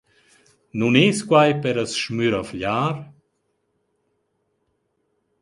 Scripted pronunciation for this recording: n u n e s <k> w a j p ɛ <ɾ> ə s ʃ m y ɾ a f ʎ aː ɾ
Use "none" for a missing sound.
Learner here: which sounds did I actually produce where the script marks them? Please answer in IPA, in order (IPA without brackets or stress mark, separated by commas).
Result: k, ɾ